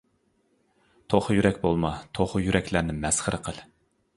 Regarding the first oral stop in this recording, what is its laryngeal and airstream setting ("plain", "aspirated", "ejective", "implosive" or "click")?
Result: aspirated